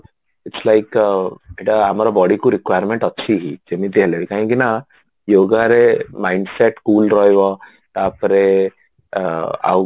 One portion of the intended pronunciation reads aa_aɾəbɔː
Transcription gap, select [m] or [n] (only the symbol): m